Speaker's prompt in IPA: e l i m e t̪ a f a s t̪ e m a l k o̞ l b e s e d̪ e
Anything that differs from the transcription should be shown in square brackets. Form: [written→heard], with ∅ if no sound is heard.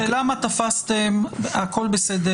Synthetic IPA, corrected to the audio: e l [i→a] m [e→a] t̪ a f a s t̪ e m a [l→∅] k o̞ l b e s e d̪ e